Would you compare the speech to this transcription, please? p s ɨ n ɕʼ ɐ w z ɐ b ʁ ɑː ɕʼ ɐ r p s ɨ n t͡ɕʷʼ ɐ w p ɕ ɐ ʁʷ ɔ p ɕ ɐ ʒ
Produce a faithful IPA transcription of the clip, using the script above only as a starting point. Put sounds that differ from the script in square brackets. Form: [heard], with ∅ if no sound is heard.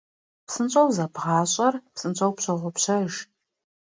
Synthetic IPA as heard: p s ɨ n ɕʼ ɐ w z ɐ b ʁ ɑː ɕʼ ɐ r p s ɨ n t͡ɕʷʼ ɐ w p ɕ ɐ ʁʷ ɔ p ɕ ɐ ʒ

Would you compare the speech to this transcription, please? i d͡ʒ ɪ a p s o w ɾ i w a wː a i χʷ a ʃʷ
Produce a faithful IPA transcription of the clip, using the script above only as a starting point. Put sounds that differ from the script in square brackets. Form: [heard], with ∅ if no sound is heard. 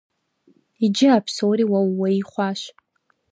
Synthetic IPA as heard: i d͡ʒ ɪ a [pʰ] s o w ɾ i w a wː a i χʷ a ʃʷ

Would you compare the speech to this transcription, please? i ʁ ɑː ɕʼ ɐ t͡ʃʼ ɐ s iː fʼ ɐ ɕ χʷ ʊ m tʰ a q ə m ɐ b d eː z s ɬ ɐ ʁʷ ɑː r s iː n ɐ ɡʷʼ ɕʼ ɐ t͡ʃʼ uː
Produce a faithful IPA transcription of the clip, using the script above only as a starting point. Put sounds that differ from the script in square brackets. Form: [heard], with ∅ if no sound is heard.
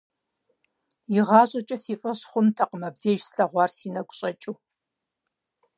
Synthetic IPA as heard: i ʁ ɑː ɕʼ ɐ t͡ʃʼ ɐ s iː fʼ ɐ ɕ χʷ ʊ m tʰ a q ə m ɐ b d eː [ʒ] s ɬ ɐ ʁʷ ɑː r s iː n ɐ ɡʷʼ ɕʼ ɐ t͡ʃʼ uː

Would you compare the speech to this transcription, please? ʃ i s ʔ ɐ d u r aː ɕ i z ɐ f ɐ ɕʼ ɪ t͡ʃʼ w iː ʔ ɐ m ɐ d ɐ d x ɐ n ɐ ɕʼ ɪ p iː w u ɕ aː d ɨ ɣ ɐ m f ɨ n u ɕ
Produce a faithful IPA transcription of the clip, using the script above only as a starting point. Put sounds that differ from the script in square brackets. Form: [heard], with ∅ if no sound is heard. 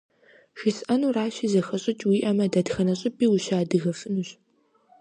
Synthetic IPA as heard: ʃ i s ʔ ɐ [n] u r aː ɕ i z ɐ [x] ɐ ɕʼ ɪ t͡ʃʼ w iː ʔ ɐ m ɐ d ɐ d x ɐ n ɐ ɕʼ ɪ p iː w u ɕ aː d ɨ ɣ ɐ [∅] f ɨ n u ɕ

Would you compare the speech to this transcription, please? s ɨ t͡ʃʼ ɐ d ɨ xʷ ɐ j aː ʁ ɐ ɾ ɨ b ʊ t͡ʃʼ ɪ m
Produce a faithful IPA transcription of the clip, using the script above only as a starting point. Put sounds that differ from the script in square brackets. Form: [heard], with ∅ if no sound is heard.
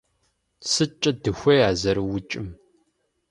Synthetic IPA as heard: s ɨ t͡ʃʼ ɐ d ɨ xʷ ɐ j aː [z] ɐ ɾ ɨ [w] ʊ t͡ʃʼ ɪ m

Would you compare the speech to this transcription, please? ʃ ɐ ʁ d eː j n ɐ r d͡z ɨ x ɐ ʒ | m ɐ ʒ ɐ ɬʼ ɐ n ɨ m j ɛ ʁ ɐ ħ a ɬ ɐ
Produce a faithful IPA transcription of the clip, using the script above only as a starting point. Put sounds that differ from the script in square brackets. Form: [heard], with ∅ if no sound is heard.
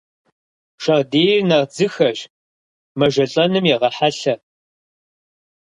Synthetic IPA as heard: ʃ ɐ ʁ d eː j n ɐ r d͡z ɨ x ɐ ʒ | m ɐ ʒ ɐ ɬʼ ɐ n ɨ m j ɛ ʁ ɐ ħ a ɬ ɐ

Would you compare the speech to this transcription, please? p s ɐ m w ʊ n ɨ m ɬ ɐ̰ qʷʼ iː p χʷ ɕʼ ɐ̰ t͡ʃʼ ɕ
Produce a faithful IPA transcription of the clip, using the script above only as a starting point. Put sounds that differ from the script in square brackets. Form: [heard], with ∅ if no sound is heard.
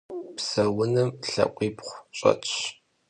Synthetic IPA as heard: p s ɐ [∅] w ʊ n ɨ m ɬ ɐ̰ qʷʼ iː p χʷ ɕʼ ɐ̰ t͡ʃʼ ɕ

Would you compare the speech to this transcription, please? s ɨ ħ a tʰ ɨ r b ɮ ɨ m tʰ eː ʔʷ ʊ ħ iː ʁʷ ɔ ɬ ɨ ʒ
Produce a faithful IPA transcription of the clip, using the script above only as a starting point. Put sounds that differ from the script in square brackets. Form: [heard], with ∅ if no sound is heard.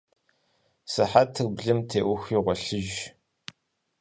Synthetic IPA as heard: s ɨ ħ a tʰ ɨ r b ɮ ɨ m tʰ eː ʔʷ ʊ [x] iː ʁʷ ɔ ɬ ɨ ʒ

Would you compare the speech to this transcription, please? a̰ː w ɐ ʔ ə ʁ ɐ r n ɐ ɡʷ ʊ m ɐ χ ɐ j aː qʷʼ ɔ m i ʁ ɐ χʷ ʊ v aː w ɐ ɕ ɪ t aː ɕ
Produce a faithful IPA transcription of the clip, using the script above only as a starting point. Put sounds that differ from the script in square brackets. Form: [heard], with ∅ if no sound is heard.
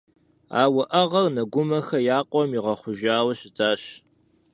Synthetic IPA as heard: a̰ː w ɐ ʔ [ɐ] ʁ ɐ r n ɐ ɡʷ ʊ m ɐ [x] ɐ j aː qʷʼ ɔ m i ʁ ɐ χʷ ʊ [ʒ] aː w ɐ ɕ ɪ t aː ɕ

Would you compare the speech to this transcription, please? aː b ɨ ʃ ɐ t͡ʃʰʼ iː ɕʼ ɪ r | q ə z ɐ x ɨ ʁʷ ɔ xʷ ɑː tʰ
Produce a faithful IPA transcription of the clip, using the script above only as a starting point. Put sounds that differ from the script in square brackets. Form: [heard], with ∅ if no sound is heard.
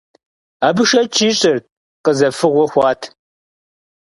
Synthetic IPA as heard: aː b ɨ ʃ ɐ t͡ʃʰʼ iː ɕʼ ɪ r | q ə z ɐ [f] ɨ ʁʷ ɔ xʷ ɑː tʰ

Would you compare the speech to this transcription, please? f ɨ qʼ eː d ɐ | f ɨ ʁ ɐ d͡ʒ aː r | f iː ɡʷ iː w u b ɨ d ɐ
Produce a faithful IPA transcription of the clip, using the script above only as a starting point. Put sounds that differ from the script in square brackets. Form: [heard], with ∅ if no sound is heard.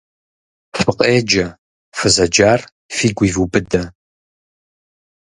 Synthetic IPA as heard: f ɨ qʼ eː [d͡ʒ] ɐ | f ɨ [z] ɐ d͡ʒ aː r | f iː ɡʷ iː [v] u b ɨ d ɐ

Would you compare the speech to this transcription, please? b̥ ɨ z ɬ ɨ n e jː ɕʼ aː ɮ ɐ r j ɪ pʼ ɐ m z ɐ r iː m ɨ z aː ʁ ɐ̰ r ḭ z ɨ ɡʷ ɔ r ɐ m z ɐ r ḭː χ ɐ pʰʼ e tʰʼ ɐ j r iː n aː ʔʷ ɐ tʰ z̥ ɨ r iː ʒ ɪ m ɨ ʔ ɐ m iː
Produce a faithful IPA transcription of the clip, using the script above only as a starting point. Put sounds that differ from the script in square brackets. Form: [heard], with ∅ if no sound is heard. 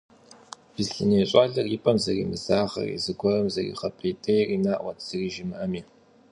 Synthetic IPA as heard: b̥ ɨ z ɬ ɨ n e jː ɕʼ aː ɮ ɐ r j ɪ pʼ ɐ m z ɐ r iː m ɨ z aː ʁ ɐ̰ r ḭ z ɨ ɡʷ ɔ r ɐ m z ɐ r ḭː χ ɐ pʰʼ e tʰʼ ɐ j r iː n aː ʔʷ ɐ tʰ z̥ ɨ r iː ʒ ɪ m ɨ ʔ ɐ m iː

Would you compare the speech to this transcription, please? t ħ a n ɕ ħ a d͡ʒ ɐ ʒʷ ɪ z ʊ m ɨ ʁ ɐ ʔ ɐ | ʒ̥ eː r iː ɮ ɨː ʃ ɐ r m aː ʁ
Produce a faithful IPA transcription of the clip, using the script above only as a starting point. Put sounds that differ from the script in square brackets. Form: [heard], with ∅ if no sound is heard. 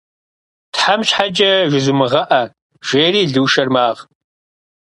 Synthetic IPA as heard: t ħ a [m] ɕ ħ a d͡ʒ ɐ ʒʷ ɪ z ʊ m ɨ ʁ ɐ ʔ ɐ | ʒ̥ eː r iː ɮ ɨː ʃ ɐ r m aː ʁ

